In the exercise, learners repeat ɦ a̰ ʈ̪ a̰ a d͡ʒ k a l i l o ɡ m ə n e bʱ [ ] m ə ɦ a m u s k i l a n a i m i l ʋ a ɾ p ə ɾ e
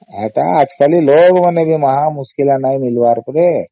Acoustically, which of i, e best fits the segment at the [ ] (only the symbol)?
i